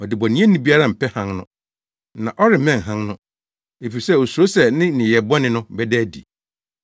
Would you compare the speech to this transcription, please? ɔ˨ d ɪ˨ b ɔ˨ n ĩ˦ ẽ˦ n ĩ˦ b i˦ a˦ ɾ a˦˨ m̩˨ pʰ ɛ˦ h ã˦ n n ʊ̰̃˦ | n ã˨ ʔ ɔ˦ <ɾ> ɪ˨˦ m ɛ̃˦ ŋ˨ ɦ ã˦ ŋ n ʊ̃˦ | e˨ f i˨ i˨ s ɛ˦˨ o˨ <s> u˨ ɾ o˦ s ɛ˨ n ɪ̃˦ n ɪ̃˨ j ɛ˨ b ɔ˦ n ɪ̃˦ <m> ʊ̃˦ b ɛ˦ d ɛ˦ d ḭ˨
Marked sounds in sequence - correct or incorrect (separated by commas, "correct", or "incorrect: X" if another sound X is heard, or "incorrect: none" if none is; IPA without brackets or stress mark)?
correct, correct, incorrect: n